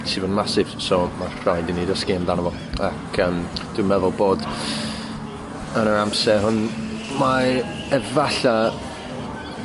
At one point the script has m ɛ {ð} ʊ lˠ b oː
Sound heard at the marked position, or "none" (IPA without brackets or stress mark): ð